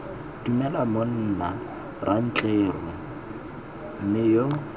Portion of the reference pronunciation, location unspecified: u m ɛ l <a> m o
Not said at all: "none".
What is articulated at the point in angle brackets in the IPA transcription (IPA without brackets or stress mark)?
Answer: a